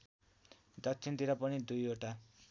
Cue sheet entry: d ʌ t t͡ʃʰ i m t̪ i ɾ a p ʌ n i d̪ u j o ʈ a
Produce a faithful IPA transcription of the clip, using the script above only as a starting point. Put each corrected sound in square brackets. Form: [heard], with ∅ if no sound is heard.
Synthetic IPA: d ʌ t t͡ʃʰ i [n] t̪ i ɾ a p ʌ n i d̪ u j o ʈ a